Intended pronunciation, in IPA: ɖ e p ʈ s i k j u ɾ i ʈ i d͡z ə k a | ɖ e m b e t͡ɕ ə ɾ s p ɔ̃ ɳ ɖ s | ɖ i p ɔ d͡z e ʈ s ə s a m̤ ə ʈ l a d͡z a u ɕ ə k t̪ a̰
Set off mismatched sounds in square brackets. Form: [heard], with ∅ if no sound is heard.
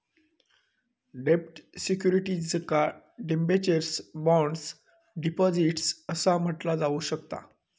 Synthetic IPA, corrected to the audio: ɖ e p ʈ s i k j u ɾ i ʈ i d͡z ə k a | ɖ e m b e t͡ɕ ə ɾ s [b] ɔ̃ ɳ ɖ s | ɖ i p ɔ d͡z [i] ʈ s ə s a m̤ ə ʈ l a d͡z a u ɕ ə k t̪ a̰